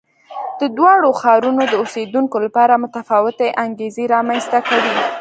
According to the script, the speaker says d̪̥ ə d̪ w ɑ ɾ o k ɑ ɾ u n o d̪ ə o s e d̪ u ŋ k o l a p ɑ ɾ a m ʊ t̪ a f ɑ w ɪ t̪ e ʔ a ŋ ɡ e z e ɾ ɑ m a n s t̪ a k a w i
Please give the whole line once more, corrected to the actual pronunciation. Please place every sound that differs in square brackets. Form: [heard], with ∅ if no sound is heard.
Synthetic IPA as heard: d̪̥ ə d̪ w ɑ [ɽ] o [x] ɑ ɾ u n o d̪ ə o s e d̪ u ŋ k o l a p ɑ ɾ a m ʊ t̪ a f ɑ w ɪ t̪ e ʔ a ŋ ɡ e z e ɾ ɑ m a n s t̪ a k a w i